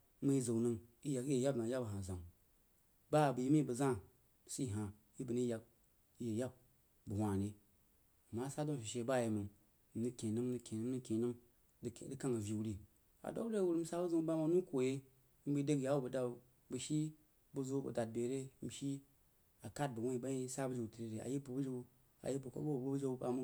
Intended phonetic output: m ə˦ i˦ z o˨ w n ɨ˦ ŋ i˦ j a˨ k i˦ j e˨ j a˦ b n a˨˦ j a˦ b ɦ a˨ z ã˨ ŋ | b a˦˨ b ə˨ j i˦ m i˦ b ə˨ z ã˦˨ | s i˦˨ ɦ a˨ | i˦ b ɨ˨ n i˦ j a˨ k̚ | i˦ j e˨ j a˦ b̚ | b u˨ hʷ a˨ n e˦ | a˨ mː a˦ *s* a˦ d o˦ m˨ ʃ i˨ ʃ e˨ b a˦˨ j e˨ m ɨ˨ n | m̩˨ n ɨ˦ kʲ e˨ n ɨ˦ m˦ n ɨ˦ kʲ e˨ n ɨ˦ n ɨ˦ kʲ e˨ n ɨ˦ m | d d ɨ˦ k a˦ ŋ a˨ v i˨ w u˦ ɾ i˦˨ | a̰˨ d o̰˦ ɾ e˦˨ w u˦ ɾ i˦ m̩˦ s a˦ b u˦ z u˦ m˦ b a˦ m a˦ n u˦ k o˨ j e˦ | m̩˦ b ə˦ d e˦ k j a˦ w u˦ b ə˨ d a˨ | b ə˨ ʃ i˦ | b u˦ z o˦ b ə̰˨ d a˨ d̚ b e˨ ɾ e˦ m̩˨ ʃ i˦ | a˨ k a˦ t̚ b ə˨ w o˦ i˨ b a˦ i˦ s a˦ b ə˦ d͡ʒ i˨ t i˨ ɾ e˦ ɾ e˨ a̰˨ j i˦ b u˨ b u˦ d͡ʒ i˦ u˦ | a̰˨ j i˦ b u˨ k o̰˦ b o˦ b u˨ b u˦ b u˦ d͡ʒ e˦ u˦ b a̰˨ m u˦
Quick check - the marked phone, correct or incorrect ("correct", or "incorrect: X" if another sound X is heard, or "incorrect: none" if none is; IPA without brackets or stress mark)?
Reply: correct